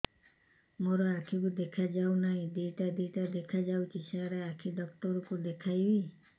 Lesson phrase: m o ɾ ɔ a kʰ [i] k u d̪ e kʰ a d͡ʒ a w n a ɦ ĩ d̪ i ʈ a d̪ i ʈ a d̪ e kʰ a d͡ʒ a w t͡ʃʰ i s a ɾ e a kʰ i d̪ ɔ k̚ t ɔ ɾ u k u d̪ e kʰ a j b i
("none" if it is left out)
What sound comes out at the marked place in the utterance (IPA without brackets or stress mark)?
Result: i